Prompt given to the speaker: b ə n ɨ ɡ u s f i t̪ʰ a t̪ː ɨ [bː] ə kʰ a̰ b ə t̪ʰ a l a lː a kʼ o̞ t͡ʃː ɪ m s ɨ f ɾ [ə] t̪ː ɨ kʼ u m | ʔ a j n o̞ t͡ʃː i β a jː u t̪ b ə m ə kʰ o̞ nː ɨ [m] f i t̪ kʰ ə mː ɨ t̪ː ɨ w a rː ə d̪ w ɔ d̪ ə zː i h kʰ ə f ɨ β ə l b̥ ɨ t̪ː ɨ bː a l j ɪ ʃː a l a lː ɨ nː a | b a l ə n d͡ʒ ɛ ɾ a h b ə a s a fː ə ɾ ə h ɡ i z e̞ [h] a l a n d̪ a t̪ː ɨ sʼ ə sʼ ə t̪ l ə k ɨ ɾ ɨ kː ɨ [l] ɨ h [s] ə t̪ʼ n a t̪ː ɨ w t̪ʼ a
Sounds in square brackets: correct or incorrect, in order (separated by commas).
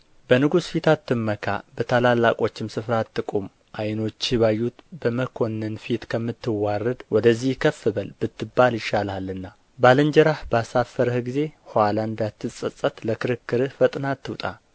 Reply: incorrect, incorrect, incorrect, correct, incorrect, incorrect